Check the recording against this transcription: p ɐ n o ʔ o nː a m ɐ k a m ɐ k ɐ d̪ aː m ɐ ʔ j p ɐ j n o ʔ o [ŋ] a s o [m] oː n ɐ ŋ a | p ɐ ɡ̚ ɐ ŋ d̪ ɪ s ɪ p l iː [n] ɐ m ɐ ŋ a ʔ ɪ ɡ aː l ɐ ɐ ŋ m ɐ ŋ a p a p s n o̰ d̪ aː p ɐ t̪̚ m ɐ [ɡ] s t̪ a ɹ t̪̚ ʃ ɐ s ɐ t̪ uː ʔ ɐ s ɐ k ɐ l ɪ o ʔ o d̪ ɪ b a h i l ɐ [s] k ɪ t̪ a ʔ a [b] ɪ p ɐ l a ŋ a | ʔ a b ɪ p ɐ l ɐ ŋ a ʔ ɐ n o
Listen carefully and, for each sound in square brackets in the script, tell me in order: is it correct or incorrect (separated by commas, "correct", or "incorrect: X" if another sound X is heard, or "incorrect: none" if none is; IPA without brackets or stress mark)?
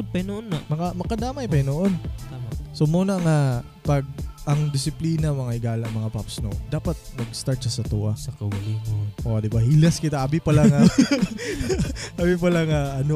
incorrect: n, correct, correct, correct, correct, correct